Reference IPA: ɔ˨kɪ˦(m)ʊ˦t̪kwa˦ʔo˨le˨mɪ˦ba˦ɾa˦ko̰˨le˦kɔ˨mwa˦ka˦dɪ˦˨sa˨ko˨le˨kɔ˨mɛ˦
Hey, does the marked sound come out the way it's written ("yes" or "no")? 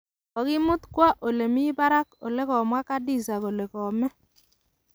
yes